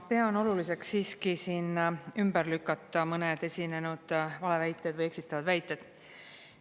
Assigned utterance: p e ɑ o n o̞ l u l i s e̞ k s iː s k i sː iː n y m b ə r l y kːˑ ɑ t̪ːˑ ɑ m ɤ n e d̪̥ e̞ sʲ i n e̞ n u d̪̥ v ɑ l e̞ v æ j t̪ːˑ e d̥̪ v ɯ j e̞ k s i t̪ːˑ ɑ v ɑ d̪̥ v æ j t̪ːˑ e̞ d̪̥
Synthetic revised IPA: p e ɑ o n o̞ l u l i s e̞ k s iː s k i s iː n y m b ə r l y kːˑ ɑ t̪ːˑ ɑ m ɤ n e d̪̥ e̞ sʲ i n e̞ n u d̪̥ v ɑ l e̞ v æ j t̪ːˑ e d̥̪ v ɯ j e̞ k s i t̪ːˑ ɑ v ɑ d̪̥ v æ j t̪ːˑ e̞ d̪̥

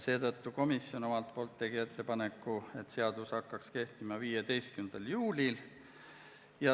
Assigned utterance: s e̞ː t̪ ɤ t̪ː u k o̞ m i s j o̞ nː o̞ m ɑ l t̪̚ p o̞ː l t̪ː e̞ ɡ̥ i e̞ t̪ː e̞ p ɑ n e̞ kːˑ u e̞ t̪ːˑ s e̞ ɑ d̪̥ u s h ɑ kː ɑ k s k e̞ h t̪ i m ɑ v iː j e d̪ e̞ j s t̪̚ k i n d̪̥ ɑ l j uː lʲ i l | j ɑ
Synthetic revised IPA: s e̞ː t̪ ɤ t̪ː u k o̞ m i s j o̞ n o̞ m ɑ l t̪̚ p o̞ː l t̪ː e̞ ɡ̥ i e̞ t̪ː e̞ p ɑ n e̞ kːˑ u e̞ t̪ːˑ s e̞ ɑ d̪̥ u s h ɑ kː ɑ k s k e̞ h t̪ i m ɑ v iː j e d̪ e̞ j s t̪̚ k y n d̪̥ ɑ l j uː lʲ i l | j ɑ

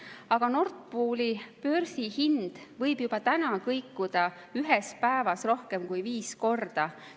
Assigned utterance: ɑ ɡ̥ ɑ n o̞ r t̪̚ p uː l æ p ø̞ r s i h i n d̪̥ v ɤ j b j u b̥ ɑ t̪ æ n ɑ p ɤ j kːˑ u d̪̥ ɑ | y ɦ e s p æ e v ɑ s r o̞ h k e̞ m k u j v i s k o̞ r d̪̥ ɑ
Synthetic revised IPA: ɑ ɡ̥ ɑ n o̞ r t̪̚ p uː l i p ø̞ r s i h i n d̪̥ v ɤ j b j u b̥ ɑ t̪ æ n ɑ k ɤ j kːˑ u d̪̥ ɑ | y ɦ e s p æ e v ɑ s r o̞ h k e̞ m k u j v iː s k o̞ r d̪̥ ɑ

